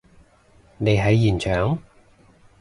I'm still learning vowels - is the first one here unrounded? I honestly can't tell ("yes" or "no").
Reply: yes